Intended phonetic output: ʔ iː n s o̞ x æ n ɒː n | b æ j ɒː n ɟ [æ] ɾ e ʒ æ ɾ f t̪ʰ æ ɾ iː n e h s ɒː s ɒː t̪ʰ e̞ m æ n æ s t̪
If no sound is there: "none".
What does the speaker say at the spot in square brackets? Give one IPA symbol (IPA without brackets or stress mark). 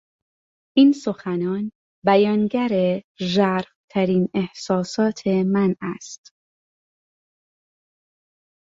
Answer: æ